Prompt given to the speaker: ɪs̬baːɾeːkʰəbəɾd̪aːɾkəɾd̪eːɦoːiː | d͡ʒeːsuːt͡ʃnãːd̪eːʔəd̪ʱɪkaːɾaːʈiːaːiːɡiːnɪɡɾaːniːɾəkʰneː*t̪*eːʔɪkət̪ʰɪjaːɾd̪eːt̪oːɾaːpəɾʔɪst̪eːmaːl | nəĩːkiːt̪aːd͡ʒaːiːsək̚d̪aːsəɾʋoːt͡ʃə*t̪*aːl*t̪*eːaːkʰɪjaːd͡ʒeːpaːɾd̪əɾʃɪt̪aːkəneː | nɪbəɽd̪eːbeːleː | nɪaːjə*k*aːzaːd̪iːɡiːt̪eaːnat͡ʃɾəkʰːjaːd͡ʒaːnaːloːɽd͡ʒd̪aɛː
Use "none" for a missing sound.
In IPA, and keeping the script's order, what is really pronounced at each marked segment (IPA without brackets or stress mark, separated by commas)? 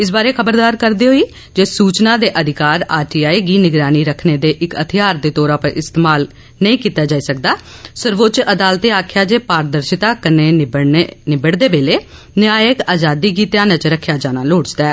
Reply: d̪, d̪, t̪, k